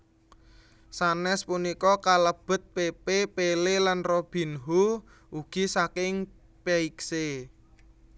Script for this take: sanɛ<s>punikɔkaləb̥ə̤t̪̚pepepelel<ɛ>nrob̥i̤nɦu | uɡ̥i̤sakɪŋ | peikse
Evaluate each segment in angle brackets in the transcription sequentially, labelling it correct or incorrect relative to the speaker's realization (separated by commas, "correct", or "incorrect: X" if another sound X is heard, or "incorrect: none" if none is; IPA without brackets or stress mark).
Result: correct, incorrect: a